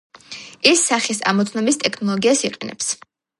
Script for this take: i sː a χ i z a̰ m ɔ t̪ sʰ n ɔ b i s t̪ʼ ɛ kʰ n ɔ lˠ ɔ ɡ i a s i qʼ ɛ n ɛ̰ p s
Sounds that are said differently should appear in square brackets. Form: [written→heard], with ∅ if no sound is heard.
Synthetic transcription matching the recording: i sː a χ i [z→s] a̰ m ɔ t̪ sʰ n ɔ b i s t̪ʼ ɛ kʰ n ɔ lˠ ɔ ɡ i a s i qʼ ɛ n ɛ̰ p s